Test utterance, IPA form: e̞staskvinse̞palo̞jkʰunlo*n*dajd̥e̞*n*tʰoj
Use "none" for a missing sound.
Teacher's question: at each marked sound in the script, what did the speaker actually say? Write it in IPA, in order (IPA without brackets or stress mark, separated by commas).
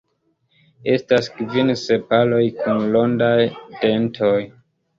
n, n